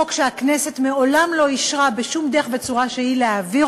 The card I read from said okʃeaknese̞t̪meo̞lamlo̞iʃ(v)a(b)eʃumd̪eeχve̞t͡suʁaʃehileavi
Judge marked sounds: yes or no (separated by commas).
no, yes